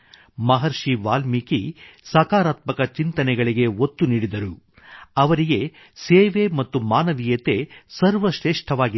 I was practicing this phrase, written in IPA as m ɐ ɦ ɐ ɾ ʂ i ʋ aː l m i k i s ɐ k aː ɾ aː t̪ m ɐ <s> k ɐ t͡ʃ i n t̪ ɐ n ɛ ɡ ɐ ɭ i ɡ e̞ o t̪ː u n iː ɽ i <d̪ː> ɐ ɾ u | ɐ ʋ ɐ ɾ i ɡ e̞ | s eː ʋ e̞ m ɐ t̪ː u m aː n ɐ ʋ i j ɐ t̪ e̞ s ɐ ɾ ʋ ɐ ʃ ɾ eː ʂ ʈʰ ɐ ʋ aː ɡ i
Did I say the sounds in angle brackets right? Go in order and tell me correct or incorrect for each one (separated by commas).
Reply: incorrect, incorrect